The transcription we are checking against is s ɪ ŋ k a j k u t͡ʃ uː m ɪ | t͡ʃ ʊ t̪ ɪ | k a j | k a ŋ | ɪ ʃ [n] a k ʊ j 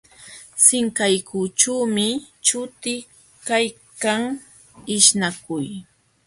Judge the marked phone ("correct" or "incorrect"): correct